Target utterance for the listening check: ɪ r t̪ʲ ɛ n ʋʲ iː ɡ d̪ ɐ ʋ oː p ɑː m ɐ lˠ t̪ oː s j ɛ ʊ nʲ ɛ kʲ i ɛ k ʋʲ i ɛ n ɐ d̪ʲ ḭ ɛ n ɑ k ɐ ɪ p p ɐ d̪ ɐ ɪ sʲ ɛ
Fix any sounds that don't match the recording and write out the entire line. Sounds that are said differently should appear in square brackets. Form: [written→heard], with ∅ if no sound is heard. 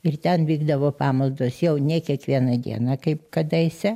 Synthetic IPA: ɪ r t̪ʲ ɛ n ʋʲ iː ɡ d̪ ɐ ʋ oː p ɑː m ɐ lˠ [t̪→d̪] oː s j ɛ ʊ nʲ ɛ kʲ i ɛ k ʋʲ i ɛ n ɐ d̪ʲ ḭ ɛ n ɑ k ɐ ɪ p [p→k] ɐ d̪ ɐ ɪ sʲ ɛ